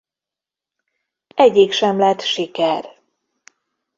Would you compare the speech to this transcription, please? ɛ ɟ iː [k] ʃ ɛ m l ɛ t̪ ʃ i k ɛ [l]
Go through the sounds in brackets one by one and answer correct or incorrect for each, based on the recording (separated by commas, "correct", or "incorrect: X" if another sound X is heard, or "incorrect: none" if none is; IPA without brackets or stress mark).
correct, incorrect: r